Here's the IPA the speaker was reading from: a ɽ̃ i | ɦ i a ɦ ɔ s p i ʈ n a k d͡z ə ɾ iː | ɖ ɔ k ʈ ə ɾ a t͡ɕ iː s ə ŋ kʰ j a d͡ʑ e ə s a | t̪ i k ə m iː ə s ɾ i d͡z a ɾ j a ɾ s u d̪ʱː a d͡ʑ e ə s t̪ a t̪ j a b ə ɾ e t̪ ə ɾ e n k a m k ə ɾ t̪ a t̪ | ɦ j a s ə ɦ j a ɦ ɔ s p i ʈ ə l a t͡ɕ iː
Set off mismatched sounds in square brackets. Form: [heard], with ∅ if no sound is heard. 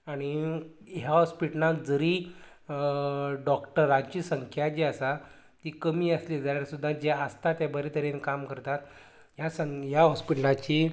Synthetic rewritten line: a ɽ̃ i | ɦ [j] a ɦ ɔ s p i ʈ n a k d͡z ə ɾ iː | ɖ ɔ k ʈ ə ɾ a t͡ɕ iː s ə ŋ kʰ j a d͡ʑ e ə s a | t̪ i k ə m iː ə s [l] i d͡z a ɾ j a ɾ s u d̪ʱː a d͡ʑ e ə s t̪ a t̪ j a b ə ɾ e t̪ ə ɾ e n k a m k ə ɾ t̪ a t̪ | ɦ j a s ə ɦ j a ɦ ɔ s p i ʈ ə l a t͡ɕ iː